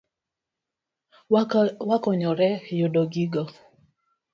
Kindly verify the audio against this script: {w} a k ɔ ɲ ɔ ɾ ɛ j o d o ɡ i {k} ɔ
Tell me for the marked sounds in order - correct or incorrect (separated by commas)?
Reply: correct, incorrect